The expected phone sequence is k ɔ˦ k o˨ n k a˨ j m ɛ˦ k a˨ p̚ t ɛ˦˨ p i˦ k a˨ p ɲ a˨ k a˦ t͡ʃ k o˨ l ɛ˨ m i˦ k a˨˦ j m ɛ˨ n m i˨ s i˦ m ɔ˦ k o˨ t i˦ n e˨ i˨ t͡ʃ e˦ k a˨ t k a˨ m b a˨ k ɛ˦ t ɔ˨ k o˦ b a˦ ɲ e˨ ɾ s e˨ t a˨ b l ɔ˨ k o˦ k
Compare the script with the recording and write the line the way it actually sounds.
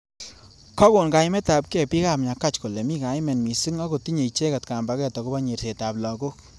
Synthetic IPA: k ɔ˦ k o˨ n k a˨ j m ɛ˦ t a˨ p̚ k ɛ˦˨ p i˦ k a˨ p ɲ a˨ k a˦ t͡ʃ k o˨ l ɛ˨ m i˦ k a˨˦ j m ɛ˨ n m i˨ s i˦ ŋ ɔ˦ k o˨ t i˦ ɲ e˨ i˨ t͡ʃ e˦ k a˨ t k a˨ m b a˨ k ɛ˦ t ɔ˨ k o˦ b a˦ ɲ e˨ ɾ s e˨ t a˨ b l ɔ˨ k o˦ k